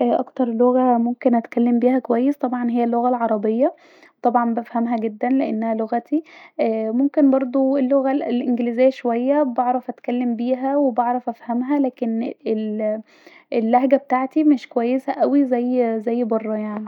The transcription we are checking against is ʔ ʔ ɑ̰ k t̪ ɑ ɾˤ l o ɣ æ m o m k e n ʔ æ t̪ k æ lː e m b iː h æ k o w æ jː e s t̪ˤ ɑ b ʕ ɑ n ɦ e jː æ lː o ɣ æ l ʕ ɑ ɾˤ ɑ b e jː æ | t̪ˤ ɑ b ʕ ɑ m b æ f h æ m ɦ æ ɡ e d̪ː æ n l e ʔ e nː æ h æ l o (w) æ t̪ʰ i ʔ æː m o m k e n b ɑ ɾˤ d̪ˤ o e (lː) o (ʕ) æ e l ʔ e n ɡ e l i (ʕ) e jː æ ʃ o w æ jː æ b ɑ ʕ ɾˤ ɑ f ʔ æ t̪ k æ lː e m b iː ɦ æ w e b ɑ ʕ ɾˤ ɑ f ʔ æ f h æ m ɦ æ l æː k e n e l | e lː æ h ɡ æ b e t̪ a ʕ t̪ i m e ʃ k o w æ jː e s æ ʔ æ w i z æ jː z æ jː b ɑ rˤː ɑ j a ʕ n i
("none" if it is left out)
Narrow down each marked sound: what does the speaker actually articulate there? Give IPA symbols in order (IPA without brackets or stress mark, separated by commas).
ɣ, lː, ɣ, z